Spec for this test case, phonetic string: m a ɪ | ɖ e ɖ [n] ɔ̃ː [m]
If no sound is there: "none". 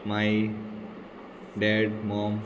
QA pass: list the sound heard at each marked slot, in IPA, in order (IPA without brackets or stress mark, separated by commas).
m, m